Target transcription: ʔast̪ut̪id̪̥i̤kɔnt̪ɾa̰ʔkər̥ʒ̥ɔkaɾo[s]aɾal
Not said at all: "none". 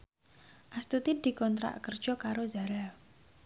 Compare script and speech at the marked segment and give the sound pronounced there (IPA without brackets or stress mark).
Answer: z